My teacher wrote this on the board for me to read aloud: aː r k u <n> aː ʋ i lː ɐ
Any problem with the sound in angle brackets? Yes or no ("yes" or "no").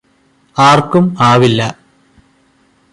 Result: yes